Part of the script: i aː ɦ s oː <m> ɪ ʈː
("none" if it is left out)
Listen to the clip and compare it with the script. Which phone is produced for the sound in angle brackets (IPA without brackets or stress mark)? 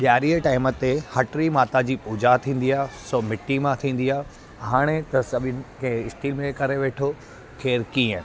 m